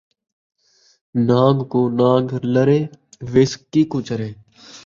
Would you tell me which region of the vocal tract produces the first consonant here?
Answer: tongue tip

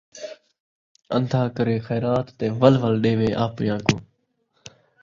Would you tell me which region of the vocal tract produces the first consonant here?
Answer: tongue tip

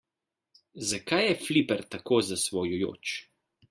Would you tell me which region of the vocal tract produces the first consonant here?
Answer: tongue tip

